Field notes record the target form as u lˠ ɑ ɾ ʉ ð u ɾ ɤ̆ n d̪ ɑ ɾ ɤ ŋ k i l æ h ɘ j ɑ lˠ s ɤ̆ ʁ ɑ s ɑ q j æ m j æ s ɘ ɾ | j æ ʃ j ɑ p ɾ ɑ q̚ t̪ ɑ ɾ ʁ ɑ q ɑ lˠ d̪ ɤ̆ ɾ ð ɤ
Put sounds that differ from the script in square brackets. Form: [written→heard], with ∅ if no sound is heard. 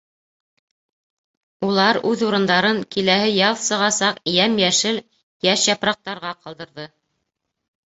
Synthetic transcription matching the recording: u lˠ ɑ ɾ ʉ ð u ɾ ɤ̆ n d̪ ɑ ɾ ɤ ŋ k i l æ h ɘ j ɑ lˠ s ɤ̆ ʁ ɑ s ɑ q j æ m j æ [s→ʃ] ɘ [ɾ→l] | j æ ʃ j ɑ p ɾ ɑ q̚ t̪ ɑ ɾ ʁ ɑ q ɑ lˠ d̪ ɤ̆ ɾ ð ɤ